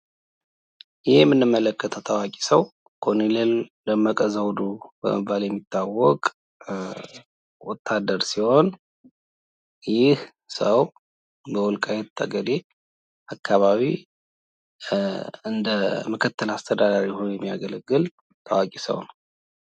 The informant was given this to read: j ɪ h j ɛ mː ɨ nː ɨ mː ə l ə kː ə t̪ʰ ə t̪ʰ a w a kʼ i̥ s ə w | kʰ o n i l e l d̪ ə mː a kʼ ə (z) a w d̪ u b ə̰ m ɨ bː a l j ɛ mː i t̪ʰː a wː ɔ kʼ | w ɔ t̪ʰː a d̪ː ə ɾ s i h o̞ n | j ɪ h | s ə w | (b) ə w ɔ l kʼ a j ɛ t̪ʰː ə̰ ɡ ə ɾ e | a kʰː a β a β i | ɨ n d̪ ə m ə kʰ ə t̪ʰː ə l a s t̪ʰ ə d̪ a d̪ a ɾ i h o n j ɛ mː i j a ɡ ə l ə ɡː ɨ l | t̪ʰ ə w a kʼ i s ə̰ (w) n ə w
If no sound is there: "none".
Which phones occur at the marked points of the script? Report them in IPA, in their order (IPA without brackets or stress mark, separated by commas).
z, b, w